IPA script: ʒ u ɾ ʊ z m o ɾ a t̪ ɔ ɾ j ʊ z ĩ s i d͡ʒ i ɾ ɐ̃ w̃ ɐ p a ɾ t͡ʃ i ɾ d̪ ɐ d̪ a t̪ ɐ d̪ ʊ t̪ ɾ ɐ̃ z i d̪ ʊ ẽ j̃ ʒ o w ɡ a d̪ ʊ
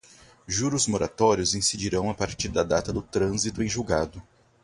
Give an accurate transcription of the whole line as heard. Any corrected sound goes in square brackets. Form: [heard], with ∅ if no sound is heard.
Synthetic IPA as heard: ʒ u ɾ ʊ z m o ɾ a t̪ ɔ ɾ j ʊ z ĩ s i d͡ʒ i ɾ ɐ̃ w̃ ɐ p a ɾ t͡ʃ i ɾ d̪ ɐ d̪ a t̪ ɐ d̪ ʊ t̪ ɾ ɐ̃ z i [t̪] ʊ ẽ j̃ ʒ [u] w ɡ a d̪ ʊ

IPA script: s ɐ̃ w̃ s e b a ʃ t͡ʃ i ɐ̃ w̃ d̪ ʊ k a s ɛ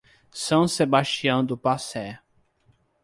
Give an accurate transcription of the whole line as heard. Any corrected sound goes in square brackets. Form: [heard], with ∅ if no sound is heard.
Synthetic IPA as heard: s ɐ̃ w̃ s e b a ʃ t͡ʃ i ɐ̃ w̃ d̪ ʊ [p] a s ɛ

